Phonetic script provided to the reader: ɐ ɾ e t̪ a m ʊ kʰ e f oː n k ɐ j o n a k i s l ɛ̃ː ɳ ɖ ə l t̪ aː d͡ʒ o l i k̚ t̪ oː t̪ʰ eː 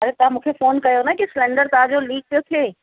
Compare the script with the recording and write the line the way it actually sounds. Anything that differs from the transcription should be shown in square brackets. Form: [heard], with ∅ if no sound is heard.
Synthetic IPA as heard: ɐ ɾ e t̪ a m ʊ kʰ e f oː n k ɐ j o n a k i s l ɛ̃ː ɳ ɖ ə [ɾ] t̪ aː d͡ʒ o l [iː] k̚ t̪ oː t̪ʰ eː